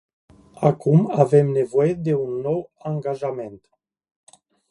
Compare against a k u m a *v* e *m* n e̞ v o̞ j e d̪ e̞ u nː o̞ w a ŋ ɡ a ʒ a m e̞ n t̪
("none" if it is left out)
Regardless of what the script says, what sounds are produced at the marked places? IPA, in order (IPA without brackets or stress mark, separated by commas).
v, m